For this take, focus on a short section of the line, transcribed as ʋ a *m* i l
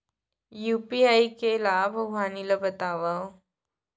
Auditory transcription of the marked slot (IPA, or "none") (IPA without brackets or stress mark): n